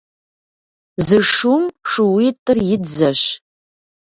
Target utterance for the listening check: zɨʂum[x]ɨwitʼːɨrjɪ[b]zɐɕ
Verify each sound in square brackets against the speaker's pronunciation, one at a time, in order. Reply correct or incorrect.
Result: incorrect, incorrect

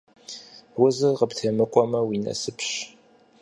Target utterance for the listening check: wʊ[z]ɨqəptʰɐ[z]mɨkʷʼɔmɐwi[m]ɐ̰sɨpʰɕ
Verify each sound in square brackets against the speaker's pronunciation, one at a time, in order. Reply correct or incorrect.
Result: correct, incorrect, incorrect

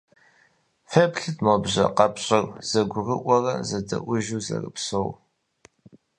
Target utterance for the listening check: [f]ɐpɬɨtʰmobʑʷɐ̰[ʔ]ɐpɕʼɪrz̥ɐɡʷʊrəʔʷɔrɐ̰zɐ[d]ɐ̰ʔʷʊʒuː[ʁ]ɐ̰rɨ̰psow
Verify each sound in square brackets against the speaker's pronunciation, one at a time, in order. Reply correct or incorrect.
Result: correct, incorrect, correct, incorrect

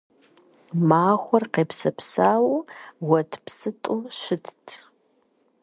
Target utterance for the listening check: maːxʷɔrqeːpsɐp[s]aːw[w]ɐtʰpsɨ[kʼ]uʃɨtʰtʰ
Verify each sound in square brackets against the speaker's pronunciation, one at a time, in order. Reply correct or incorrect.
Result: correct, correct, incorrect

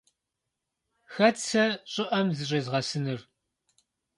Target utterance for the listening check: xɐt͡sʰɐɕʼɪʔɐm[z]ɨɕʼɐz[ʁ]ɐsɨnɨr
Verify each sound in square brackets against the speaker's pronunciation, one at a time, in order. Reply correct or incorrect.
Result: correct, correct

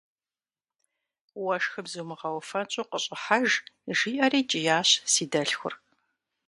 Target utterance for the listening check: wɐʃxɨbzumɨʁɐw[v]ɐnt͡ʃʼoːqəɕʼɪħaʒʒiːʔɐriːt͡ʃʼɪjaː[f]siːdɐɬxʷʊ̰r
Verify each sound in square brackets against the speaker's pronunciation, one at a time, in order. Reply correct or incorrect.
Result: incorrect, incorrect

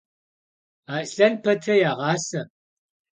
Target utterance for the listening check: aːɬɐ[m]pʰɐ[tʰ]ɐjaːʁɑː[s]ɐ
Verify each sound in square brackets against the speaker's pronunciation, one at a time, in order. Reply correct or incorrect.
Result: incorrect, correct, correct

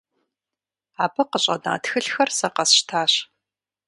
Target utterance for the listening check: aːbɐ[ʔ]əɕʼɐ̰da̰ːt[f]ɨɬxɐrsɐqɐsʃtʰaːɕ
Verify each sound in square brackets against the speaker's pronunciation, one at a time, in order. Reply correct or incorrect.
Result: incorrect, incorrect

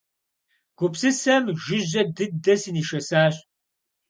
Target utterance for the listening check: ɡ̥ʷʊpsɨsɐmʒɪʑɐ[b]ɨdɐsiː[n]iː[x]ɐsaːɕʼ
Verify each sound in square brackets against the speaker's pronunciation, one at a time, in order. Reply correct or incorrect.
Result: incorrect, correct, incorrect

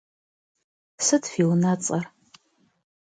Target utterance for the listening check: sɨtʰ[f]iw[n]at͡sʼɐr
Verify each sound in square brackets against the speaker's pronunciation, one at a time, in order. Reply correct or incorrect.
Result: correct, correct

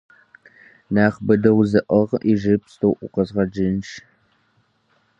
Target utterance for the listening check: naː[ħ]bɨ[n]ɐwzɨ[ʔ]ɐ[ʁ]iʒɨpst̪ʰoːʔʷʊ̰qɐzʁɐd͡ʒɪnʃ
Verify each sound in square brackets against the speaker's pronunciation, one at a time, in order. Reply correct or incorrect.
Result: incorrect, incorrect, correct, correct

